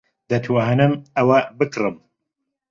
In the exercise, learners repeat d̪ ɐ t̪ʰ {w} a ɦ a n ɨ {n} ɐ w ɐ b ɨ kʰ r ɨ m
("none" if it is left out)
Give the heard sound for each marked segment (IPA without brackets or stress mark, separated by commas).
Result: w, m